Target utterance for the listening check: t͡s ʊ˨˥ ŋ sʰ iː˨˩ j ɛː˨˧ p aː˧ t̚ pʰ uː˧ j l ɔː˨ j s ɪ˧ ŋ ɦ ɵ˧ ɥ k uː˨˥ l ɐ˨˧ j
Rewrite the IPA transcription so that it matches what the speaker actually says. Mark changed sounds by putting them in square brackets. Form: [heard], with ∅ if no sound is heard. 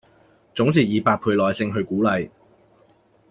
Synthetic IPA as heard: t͡s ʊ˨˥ ŋ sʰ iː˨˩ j [iː˨˧] p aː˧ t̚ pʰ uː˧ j l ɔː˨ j s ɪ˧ ŋ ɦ ɵ˧ ɥ k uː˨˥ l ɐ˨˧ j